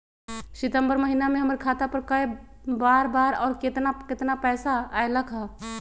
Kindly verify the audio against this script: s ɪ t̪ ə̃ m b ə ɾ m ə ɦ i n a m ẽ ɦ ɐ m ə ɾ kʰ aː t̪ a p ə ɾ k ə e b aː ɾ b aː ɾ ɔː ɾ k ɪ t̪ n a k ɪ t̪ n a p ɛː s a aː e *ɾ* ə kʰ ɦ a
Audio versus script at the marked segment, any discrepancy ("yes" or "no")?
yes